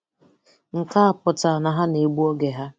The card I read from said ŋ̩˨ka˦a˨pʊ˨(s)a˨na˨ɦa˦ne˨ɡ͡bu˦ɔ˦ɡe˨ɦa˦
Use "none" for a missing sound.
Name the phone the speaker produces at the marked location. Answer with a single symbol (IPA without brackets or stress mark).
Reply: t